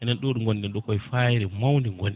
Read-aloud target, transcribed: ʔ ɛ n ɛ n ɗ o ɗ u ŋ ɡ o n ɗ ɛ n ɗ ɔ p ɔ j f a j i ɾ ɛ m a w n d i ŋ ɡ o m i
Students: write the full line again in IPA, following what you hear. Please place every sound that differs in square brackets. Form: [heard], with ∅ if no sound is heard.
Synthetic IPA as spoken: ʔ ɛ n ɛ n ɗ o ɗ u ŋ ɡ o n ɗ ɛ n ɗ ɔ [k] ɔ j f a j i ɾ ɛ m a w n d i ŋ ɡ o [n] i

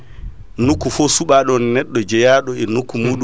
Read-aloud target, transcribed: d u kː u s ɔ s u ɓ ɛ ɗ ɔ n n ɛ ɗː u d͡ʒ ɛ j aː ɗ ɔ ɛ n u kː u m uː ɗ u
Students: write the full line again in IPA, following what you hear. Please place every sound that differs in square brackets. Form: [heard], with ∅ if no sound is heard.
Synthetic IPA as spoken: [n] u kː u [f] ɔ s u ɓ [a] ɗ ɔ n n ɛ ɗː [ɔ] d͡ʒ ɛ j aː ɗ ɔ ɛ n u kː u m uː ɗ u

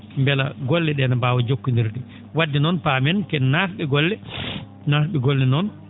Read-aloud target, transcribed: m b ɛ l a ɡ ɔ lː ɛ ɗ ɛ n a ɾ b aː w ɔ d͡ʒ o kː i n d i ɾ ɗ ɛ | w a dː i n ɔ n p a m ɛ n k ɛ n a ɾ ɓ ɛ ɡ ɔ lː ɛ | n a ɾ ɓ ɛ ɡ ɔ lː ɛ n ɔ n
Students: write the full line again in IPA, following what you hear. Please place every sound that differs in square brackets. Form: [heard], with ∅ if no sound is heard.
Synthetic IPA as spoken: m b ɛ l a ɡ ɔ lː ɛ ɗ ɛ n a [∅] b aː w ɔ d͡ʒ o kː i n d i ɾ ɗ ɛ | w a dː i n ɔ n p a m ɛ n k ɛ n a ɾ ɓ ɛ ɡ ɔ lː ɛ | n a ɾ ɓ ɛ ɡ ɔ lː ɛ n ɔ n

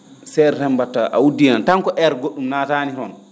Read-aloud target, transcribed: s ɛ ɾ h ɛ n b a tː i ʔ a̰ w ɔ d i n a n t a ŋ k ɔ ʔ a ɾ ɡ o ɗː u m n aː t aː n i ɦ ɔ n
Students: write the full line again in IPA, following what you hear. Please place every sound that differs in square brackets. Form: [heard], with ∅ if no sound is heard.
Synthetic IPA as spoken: s ɛ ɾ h ɛ [m] b a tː [a] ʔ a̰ w [u] d i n a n t a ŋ k ɔ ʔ [ɛ] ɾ ɡ o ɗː u m n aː t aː n i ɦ ɔ n

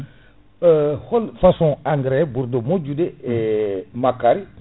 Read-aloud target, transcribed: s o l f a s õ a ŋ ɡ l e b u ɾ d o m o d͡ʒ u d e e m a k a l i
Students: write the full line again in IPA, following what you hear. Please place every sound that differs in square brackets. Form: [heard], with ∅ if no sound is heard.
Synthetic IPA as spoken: [h] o l f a s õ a ŋ ɡ [ɾ] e b u ɾ d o m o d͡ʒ u d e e m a k a [ɾ] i

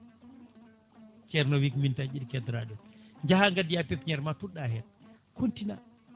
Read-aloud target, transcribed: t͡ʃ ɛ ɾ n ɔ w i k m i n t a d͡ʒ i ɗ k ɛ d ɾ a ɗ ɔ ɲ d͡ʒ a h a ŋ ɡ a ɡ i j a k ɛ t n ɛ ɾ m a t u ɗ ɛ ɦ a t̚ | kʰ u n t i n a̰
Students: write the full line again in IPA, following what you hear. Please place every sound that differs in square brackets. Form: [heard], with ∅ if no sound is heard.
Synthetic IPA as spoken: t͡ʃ ɛ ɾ n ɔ w i k m i n t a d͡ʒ i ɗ k ɛ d ɾ a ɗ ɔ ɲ d͡ʒ a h a ŋ ɡ a [d] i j a [p] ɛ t [ɲ] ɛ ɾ m a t u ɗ [a] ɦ [ɛ] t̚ | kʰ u n t i n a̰

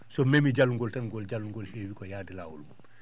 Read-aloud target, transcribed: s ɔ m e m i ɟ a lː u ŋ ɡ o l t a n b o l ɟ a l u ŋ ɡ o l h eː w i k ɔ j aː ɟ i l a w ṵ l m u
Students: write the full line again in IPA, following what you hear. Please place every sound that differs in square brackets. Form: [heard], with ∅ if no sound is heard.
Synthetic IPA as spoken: s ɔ m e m i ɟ a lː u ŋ ɡ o l t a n [ɡ] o l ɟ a l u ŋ ɡ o l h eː w i k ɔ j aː [d] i l a w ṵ l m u

